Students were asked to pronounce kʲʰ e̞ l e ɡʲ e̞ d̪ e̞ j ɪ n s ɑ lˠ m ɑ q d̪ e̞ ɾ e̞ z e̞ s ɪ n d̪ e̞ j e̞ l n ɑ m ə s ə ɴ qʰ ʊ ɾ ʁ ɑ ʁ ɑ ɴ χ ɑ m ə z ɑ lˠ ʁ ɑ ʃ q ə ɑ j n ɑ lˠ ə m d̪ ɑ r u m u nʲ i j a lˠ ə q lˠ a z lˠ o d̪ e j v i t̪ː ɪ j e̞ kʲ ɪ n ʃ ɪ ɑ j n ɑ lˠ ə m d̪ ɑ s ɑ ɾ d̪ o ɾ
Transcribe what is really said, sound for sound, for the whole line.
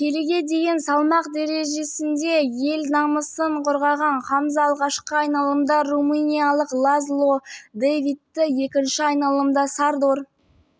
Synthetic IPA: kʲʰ e̞ l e ɡʲ e̞ d̪ e̞ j ɪ n s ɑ lˠ m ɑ q d̪ e̞ ɾ e̞ ʒ e̞ s ɪ n d̪ e̞ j e̞ l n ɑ m ə s ə ɴ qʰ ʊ ɾ ʁ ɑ ʁ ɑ ɴ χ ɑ m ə z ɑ lˠ ʁ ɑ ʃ q ə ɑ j n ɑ lˠ ə m d̪ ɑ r u m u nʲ i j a lˠ ə q lˠ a z lˠ o d̪ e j v i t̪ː ɪ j e̞ kʲ ɪ n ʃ ɪ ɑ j n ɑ lˠ ə m d̪ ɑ s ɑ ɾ d̪ o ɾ

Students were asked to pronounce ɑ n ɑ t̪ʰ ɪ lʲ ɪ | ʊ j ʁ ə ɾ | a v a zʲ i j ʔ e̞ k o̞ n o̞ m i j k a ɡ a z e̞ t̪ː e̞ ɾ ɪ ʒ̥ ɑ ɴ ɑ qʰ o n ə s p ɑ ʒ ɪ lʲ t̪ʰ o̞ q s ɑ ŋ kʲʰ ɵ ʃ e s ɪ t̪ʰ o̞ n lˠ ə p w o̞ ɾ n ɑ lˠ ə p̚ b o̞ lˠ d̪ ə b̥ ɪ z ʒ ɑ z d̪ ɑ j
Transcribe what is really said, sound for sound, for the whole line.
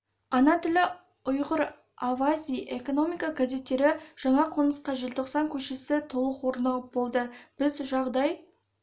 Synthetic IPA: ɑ n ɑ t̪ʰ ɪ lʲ ɪ | ʊ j ʁ ə ɾ | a v a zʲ i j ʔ e̞ k o̞ n o̞ m i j k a ɡ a z e̞ t̪ː e̞ ɾ ɪ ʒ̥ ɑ ɴ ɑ qʰ o n ə s q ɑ ʒ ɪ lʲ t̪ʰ o̞ q s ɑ ŋ kʲʰ ɵ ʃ e s ɪ t̪ʰ o̞ lˠ ə q w o̞ ɾ n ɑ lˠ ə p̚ b o̞ lˠ d̪ ə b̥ ɪ z ʒ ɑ ʁ d̪ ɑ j

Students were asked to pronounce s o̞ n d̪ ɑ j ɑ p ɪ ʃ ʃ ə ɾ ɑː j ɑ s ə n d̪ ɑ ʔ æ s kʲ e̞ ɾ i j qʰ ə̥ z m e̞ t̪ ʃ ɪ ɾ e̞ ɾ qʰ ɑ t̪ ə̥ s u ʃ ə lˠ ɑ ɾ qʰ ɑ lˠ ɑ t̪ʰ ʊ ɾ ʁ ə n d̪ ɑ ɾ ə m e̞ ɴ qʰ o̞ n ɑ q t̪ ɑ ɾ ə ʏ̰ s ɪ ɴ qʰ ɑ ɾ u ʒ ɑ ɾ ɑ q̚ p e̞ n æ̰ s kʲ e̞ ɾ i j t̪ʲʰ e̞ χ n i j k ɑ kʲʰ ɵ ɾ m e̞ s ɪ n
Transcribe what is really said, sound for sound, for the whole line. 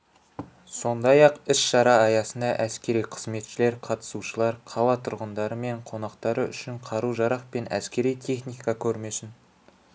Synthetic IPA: s o̞ n d̪ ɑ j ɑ q ɪ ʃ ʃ ɑ ɾ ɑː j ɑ s ə n d̪ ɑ ʔ æ s kʲ e̞ ɾ i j qʰ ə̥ z m e̞ t̪ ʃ ɪ l e̞ ɾ qʰ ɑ t̪ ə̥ s u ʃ ə lˠ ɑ ɾ qʰ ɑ lˠ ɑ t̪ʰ ʊ ɾ ʁ ə n d̪ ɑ ɾ ə m e̞ ɴ qʰ o̞ n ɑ q t̪ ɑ ɾ ə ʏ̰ ʃ ɪ ɴ qʰ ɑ ɾ u ʒ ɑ ɾ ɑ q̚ p e̞ n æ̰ s kʲ e̞ ɾ i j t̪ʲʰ e̞ χ n i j k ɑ kʲʰ ɵ ɾ m e̞ s ɪ n

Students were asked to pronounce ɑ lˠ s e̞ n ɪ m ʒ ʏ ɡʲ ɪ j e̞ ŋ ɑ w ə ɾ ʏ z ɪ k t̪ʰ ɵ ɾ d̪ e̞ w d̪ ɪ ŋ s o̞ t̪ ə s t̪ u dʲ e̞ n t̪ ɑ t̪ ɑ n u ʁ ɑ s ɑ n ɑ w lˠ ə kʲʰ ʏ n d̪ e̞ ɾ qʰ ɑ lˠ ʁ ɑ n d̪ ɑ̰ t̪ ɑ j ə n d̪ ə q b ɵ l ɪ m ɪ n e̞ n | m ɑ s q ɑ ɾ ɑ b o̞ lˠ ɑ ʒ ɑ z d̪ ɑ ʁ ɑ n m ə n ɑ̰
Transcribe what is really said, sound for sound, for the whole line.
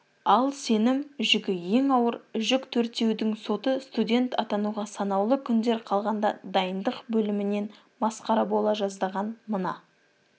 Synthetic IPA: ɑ lˠ s e̞ n ɪ m ʒ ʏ ɡʲ ɪ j e̞ ŋ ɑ w ə ɾ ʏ ʒ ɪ k t̪ʰ ɵ ɾ t̪ e̞ w d̪ ɪ ŋ s o̞ t̪ ə s t̪ u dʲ e̞ n t̪ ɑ t̪ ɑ n u ʁ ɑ s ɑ n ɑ w lˠ ə kʲʰ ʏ n d̪ e̞ ɾ qʰ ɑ lˠ ʁ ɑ n d̪ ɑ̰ d̪ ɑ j ə n d̪ ə q b ɵ l ɪ m ɪ n e̞ n | m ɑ s q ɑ ɾ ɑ b o̞ lˠ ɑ ʒ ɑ z d̪ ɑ ʁ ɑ n m ə n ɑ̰

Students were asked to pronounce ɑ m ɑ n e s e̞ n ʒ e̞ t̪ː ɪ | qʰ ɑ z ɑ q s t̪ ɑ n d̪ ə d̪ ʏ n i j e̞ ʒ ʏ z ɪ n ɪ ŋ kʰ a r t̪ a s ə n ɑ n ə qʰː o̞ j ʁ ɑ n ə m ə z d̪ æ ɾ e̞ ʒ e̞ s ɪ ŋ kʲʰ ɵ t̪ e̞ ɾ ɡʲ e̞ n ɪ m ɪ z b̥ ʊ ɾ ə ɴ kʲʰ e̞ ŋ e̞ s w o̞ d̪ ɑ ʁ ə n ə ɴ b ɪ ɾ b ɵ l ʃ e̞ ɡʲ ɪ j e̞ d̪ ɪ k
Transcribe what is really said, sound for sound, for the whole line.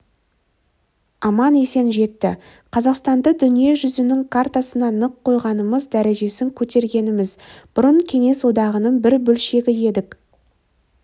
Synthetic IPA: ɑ m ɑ n e s e̞ n ʒ e̞ t̪ː ɪ | qʰ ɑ z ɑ q s t̪ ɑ n d̪ ə d̪ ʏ n i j e̞ ʒ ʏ z ɪ n ɪ ŋ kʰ a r t̪ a s ə n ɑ n ə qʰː o̞ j ʁ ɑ n ə m ə z d̪ æ ɾ e̞ ʒ e̞ s ɪ ŋ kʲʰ ɵ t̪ e̞ ɾ ɡʲ e̞ n ɪ m ɪ z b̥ ʊ ɾ ə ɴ kʲʰ e̞ ŋ e̞ s w o̞ d̪ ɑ ʁ ə n ə ɴ b ɪ ɾ b ɵ l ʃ e̞ ɡʲ ɪ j e̞ d̪ ɪ k

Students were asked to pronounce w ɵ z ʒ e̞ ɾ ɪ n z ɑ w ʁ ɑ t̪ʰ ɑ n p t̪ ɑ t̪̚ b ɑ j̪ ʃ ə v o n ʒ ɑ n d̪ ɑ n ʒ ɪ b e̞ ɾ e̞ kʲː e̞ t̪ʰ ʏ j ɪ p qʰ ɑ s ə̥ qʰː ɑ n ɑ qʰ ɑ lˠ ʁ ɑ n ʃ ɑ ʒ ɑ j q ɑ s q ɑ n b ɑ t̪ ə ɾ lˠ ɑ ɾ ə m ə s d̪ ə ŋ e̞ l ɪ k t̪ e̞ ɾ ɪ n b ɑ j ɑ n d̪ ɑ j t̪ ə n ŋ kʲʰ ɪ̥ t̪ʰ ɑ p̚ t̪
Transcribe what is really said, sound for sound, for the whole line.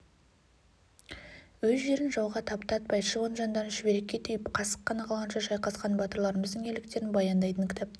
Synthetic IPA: w ɵ z ʒ e̞ ɾ ɪ n ʒ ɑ w ʁ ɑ t̪ʰ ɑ p t̪ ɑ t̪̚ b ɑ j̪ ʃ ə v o n ʒ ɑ n d̪ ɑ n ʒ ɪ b e̞ ɾ e̞ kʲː e̞ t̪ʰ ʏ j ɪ p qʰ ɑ s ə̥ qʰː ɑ n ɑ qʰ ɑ lˠ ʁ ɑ n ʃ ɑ ʒ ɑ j q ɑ s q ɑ n b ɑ t̪ ə ɾ lˠ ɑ ɾ ə m ə z d̪ ə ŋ e̞ l ɪ k t̪ e̞ ɾ ɪ n b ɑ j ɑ n d̪ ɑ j t̪ ə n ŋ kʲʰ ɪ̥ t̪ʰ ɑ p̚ t̪

